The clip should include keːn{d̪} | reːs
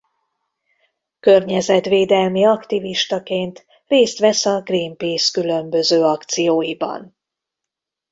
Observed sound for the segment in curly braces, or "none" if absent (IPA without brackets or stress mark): t̪